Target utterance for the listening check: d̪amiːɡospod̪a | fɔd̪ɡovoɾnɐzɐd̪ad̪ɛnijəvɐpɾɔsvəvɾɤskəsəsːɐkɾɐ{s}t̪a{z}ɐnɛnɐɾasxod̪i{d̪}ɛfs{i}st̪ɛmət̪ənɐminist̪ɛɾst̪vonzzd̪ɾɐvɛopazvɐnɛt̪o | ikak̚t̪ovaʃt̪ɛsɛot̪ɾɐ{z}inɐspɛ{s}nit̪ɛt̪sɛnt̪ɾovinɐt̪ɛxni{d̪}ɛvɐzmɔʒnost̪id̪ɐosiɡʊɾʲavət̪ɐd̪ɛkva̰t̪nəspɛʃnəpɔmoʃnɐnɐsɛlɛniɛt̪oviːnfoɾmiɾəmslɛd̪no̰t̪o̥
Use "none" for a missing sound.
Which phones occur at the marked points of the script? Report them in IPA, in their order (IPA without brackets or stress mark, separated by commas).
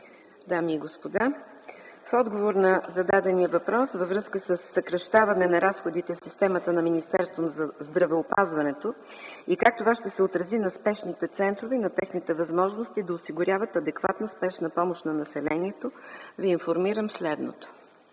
ʃ, v, t̪, i, z, ʃ, t̪